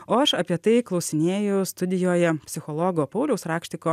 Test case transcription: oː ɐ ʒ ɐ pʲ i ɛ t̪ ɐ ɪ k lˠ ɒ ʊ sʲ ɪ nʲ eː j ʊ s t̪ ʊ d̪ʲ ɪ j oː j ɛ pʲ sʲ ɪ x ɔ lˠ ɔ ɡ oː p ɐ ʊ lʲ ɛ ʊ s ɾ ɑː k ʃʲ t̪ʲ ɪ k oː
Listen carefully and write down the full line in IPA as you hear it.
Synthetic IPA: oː ɐ ʃ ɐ pʲ i ɛ t̪ ɐ ɪ k lˠ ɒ ʊ sʲ ɪ nʲ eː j ʊ s t̪ ʊ d̪ʲ ɪ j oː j ɛ pʲ sʲ ɪ x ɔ lˠ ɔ ɡ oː p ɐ ʊ lʲ ɛ ʊ s ɾ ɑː k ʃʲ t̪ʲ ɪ k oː